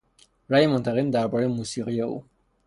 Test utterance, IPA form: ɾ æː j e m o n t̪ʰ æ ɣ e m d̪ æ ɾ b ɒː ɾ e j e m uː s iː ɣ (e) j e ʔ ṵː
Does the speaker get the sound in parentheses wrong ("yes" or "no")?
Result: yes